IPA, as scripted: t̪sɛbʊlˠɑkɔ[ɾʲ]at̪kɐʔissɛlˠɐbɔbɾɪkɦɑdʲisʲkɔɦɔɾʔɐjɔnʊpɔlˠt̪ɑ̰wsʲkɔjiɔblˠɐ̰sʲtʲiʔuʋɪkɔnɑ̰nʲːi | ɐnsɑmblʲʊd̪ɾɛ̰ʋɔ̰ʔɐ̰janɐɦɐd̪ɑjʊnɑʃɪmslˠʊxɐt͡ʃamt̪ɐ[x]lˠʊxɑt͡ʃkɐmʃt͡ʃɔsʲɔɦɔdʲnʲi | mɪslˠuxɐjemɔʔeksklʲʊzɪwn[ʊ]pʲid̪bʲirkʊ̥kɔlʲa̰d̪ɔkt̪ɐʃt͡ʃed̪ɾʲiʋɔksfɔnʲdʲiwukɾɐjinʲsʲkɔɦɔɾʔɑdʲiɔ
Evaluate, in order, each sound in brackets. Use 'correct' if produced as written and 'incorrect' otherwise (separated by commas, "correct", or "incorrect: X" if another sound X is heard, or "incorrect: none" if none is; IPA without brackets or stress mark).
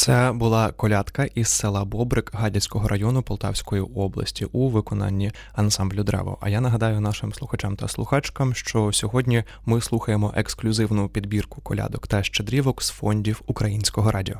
incorrect: lʲ, incorrect: s, correct